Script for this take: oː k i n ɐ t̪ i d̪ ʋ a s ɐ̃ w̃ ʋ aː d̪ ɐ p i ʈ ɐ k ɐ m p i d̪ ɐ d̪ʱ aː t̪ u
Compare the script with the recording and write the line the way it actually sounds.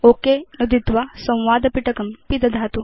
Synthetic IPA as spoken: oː k e n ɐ d̪ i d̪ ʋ a s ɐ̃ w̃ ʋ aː d̪ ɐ p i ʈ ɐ k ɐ m p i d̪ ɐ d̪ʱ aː t̪ u